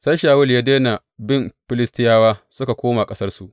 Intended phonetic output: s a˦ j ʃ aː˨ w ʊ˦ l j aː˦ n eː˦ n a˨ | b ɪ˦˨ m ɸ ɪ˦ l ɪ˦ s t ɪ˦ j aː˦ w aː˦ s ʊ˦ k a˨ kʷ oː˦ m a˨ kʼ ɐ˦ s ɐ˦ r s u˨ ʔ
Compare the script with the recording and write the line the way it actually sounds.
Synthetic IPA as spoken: s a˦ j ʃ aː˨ w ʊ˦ l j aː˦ d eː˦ n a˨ | b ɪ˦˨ m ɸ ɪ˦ l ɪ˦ s t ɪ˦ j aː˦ w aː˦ s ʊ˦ k a˨ kʷ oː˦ m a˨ kʼ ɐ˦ s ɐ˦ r s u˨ ʔ